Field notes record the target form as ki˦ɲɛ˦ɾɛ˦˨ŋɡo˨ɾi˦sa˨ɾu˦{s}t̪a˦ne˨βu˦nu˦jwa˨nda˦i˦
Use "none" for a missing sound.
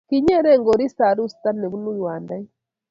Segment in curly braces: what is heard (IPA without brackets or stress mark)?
s